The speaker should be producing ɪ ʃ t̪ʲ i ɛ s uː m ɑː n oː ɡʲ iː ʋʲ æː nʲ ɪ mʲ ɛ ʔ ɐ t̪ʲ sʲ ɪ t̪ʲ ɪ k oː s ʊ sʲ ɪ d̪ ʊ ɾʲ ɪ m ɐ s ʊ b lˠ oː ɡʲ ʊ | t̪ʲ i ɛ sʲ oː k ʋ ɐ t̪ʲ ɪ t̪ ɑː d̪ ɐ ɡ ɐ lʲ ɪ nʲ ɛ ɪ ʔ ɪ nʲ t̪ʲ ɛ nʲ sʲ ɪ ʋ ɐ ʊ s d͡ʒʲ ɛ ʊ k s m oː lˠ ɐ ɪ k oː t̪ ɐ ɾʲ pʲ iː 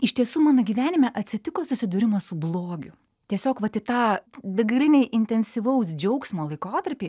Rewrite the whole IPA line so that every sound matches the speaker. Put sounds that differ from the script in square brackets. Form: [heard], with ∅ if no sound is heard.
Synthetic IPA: ɪ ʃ t̪ʲ i ɛ s uː m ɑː n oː ɡʲ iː ʋʲ æː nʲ ɪ mʲ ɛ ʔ ɐ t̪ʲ sʲ ɪ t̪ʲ ɪ k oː s ʊ sʲ ɪ d̪ ʊ ɾʲ ɪ m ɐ s ʊ b lˠ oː ɡʲ ʊ | t̪ʲ i ɛ sʲ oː k ʋ ɐ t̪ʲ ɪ t̪ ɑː d̪ ɐ ɡ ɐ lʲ ɪ nʲ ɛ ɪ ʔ ɪ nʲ t̪ʲ ɛ nʲ sʲ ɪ ʋ ɐ ʊ s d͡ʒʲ ɛ ʊ k s m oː lˠ ɐ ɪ k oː t̪ ɐ ɾʲ pʲ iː